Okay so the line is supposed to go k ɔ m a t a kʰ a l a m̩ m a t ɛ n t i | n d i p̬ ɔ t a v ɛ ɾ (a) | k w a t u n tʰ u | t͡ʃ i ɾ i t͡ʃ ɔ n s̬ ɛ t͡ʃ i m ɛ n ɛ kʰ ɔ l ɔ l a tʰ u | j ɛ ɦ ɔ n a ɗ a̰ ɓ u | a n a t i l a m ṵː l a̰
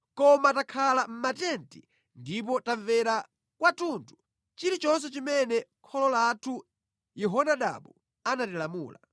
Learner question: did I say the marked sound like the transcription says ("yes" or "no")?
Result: yes